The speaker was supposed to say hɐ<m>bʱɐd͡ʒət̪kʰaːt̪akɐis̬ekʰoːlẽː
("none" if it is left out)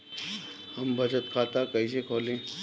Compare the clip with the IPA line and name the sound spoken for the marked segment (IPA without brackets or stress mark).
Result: m